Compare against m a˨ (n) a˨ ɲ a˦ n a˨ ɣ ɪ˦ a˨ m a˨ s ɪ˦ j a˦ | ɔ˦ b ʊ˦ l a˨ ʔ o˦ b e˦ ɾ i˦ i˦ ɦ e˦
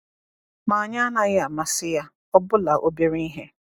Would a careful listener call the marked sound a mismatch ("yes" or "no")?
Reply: yes